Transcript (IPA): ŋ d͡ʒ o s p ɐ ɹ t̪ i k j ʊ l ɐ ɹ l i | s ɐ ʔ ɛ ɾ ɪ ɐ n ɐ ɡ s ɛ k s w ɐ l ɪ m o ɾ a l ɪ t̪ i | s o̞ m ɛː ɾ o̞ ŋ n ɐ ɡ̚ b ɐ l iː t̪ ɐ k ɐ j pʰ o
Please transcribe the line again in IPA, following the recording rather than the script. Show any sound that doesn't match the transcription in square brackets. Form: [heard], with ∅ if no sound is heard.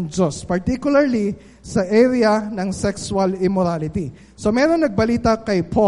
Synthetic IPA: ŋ d͡ʒ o s p ɐ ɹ t̪ i k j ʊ l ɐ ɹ l i | s ɐ ʔ ɛ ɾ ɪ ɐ n ɐ [ŋ] s ɛ k s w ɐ l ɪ m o ɾ a l ɪ t̪ i | s o̞ m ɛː ɾ o̞ ŋ n ɐ ɡ̚ b ɐ l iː t̪ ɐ k ɐ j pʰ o